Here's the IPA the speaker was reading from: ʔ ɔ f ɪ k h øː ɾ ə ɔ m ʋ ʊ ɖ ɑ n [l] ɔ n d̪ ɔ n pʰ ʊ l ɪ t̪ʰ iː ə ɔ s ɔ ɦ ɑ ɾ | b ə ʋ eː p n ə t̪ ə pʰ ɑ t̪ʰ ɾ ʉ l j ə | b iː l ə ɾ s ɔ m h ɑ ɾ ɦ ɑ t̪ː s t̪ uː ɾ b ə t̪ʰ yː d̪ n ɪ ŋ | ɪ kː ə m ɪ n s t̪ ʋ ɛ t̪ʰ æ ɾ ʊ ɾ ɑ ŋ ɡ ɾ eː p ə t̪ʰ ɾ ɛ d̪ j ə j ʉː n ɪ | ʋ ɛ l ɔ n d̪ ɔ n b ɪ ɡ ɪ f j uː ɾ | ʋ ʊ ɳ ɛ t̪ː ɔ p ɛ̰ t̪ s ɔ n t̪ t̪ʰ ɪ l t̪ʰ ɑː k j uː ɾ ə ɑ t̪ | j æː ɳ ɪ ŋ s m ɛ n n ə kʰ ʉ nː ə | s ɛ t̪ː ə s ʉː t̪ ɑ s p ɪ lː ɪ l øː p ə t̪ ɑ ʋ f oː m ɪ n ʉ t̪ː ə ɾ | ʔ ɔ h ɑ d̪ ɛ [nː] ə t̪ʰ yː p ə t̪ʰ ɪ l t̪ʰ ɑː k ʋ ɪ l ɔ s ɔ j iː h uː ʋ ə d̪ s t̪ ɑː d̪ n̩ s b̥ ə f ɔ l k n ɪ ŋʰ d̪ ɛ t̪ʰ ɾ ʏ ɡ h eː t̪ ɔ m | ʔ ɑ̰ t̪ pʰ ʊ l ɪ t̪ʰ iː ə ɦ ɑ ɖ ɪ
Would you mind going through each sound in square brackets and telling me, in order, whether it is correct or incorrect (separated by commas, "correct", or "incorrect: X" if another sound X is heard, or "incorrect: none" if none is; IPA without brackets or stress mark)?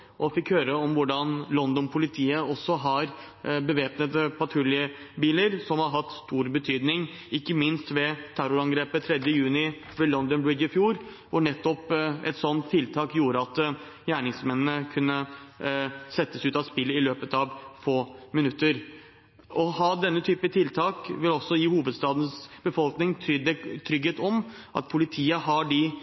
correct, correct